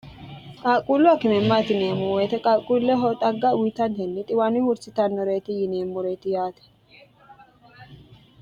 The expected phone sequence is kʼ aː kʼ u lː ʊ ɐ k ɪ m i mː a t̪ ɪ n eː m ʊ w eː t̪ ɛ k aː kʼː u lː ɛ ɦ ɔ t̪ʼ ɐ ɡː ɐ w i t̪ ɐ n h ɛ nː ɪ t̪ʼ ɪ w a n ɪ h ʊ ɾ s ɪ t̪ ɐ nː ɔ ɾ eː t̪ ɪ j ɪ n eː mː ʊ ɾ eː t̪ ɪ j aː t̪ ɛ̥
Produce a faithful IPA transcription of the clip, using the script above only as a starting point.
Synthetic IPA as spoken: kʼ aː kʼ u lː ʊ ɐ k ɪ m ɛ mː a t̪ ɪ n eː m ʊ w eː t̪ ɛ kʼ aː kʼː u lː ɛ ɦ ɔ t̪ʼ ɐ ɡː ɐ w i t̪ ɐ n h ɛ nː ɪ t̪ʼ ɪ w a n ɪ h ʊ ɾ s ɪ t̪ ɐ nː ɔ ɾ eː t̪ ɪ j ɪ n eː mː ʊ ɾ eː t̪ ɪ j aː t̪ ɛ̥